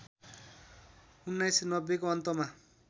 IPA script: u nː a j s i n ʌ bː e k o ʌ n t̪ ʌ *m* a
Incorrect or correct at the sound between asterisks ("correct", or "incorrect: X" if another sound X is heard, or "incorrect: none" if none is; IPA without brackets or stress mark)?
correct